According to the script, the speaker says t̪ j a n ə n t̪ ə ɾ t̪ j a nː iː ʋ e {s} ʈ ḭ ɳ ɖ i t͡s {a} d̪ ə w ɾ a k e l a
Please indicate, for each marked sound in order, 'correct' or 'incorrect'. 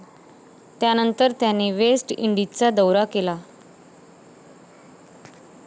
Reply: correct, correct

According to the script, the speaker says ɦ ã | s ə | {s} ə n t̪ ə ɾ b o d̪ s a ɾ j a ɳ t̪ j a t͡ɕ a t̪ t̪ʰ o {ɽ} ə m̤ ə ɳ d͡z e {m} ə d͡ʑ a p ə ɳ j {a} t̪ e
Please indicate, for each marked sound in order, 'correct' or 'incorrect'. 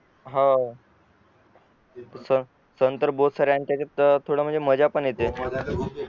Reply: correct, correct, correct, incorrect

